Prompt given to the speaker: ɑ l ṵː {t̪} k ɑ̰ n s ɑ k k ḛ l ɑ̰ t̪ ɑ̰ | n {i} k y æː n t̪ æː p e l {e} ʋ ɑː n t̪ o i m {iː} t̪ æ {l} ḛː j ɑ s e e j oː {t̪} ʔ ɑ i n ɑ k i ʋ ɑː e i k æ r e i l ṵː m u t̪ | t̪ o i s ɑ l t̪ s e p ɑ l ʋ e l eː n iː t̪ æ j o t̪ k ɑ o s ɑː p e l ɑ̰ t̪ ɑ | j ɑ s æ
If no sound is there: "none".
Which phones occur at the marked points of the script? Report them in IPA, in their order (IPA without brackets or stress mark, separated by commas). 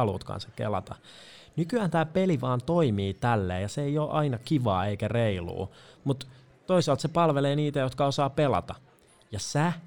t̪, y, i, iː, lː, none